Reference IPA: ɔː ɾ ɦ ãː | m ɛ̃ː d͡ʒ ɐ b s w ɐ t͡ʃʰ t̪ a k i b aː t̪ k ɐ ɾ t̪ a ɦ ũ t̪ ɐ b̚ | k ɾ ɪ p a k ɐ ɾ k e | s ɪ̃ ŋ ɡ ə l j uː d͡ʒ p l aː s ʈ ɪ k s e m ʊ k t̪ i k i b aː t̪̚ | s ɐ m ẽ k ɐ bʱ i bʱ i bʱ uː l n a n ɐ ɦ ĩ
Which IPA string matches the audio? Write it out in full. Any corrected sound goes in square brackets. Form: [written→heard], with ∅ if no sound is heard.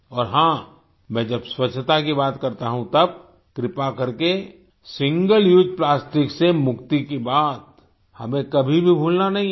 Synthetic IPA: ɔː ɾ ɦ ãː | m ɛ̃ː d͡ʒ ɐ b s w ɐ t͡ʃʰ t̪ a k i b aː t̪ k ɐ ɾ t̪ a ɦ ũ t̪ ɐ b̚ | k ɾ ɪ p a k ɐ ɾ k e | s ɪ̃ ŋ ɡ ə l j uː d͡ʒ p l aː s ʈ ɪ k s e m ʊ k t̪ i k i b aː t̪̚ | [s→h] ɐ m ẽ k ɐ bʱ i bʱ i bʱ uː l n a n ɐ ɦ ĩ

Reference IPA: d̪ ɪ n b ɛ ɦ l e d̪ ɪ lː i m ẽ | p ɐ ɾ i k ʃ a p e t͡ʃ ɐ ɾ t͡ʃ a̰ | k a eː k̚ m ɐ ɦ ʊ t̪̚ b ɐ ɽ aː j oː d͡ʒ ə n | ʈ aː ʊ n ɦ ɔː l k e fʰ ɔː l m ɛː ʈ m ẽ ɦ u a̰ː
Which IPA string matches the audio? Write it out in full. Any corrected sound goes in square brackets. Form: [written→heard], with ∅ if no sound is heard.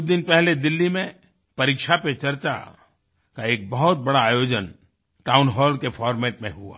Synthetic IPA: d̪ ɪ n [b→p] ɛ ɦ l e d̪ ɪ lː i m ẽ | p ɐ ɾ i k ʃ a p e t͡ʃ ɐ ɾ t͡ʃ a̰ | k a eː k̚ [m→b] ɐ ɦ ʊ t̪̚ b ɐ ɽ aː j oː d͡ʒ ə n | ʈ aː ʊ n ɦ ɔː l k e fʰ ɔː [l→ɾ] m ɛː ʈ m ẽ ɦ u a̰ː

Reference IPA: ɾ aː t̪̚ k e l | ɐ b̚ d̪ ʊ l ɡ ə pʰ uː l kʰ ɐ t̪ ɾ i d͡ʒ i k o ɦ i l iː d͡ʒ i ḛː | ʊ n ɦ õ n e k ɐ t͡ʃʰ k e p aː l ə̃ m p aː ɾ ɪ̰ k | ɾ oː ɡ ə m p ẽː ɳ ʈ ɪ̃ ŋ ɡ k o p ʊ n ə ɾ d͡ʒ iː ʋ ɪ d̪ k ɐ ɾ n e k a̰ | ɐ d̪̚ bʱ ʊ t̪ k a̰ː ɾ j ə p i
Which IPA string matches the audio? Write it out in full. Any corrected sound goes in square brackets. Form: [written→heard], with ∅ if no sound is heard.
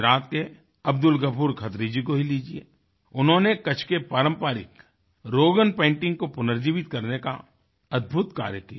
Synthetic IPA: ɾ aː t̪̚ k e [l→∅] | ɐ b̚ d̪ ʊ l ɡ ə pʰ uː [l→ɾ] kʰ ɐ t̪ ɾ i d͡ʒ i k o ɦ i l iː d͡ʒ i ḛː | ʊ n ɦ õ n e k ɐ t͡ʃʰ k e p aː [l→ɾ] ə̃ m p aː ɾ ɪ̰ k | ɾ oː ɡ ə [m→n] p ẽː ɳ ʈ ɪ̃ ŋ ɡ k o p ʊ n ə ɾ d͡ʒ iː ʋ ɪ [d̪→t̪] k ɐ ɾ n e k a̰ | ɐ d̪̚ bʱ ʊ t̪ k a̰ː ɾ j ə [p→k] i

